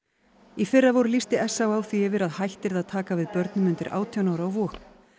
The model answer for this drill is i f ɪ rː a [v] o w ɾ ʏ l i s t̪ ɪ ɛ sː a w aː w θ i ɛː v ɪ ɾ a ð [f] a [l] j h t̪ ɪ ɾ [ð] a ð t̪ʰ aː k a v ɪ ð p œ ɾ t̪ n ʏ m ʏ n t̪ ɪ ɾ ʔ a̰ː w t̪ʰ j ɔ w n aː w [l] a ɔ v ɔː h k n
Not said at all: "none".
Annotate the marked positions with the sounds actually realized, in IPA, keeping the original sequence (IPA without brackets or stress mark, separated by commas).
v, h, none, ð, ɾ